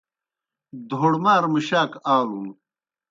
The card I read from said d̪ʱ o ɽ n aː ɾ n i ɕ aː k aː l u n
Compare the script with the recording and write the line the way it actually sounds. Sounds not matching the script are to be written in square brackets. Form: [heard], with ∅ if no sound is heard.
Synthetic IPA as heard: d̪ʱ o ɽ [m] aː ɾ [m] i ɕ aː k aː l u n